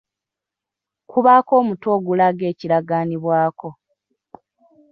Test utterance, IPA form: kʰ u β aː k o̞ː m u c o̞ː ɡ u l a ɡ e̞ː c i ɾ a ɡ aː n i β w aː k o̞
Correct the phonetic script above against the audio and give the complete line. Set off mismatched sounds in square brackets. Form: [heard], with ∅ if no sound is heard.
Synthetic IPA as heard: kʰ u β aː k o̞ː m u [t] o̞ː ɡ u l a ɡ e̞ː c i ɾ a ɡ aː n i β w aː k o̞